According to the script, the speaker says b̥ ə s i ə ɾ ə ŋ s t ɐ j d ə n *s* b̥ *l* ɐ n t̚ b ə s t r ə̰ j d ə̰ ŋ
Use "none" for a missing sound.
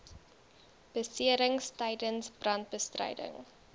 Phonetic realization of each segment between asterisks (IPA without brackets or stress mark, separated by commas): s, r